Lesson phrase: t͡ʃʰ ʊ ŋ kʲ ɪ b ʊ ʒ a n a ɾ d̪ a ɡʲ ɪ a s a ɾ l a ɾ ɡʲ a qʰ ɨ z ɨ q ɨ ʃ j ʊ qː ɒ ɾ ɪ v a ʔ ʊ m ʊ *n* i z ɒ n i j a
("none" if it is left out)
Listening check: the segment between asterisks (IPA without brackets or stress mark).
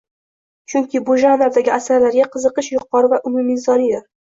m